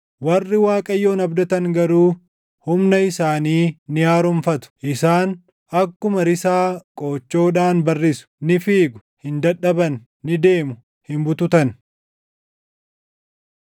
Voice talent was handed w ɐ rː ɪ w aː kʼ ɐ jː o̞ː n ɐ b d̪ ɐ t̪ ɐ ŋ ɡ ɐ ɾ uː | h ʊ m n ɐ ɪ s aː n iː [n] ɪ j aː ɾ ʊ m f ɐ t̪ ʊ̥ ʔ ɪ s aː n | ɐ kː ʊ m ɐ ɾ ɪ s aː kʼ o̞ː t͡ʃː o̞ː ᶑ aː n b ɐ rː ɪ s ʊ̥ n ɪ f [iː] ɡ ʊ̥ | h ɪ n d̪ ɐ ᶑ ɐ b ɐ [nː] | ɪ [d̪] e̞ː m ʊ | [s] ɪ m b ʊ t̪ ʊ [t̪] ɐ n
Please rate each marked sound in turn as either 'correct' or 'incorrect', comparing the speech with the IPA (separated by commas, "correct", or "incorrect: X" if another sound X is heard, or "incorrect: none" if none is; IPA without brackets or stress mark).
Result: correct, correct, correct, correct, incorrect: h, correct